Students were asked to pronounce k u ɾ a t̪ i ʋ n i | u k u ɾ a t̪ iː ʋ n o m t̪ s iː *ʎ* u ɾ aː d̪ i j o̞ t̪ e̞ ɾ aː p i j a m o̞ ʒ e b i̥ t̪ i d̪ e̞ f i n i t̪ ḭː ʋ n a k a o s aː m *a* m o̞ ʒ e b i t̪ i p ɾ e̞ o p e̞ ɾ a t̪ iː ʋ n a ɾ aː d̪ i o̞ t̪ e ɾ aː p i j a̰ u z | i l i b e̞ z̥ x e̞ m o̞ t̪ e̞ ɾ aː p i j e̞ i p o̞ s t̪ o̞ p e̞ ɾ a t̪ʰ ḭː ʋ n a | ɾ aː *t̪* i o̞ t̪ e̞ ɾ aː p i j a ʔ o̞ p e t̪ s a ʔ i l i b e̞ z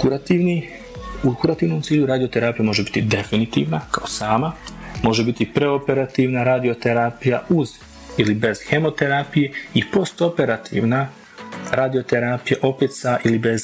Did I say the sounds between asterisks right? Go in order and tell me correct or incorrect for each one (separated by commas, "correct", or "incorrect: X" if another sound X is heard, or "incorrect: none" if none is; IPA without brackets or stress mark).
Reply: correct, correct, incorrect: d̪